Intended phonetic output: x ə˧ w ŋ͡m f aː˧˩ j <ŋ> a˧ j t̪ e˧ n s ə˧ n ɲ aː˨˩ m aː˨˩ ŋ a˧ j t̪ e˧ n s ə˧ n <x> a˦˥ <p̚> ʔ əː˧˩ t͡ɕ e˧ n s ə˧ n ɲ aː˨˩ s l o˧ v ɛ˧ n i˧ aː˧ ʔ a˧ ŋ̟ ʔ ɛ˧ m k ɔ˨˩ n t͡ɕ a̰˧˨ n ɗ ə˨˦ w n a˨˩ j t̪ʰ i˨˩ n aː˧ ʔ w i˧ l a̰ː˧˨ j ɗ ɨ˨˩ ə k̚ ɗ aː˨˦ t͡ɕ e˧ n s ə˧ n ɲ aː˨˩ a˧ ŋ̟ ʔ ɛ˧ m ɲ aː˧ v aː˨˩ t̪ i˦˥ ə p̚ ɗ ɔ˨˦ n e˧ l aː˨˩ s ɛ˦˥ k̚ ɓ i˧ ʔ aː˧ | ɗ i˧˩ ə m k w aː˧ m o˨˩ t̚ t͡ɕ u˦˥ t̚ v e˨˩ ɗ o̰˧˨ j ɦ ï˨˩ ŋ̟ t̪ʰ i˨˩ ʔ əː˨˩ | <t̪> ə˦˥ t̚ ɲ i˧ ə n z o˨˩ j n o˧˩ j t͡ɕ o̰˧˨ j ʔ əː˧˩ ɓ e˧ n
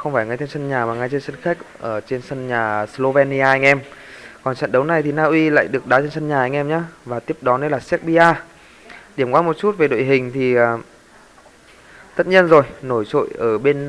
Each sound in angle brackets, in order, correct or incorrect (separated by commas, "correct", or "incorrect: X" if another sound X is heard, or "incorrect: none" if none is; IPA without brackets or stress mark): correct, correct, incorrect: k̚, correct